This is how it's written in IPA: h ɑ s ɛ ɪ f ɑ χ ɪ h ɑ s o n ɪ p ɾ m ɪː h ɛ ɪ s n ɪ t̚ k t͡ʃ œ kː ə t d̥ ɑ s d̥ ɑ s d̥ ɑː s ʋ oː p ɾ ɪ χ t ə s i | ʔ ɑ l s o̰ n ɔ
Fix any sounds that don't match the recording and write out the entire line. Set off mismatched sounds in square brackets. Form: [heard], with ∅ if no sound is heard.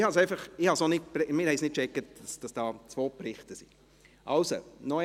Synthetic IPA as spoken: h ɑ s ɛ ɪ f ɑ χ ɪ h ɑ s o n ɪ p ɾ m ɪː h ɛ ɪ s n ɪ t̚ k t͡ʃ [ɛ] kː ə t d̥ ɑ s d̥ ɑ s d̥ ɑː [t͡s] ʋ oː p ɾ ɪ χ t ə s i | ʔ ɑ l s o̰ n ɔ